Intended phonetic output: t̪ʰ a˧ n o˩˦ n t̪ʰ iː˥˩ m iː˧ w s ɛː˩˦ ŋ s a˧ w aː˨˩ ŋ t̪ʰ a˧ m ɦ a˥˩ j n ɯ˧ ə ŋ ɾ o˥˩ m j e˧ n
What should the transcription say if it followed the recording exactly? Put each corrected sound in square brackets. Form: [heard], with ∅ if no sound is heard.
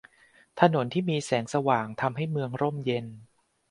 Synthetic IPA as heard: t̪ʰ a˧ n o˩˦ n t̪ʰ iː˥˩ m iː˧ [∅] s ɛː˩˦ ŋ s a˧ w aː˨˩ ŋ t̪ʰ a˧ m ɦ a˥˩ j [m] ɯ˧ ə ŋ ɾ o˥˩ m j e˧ n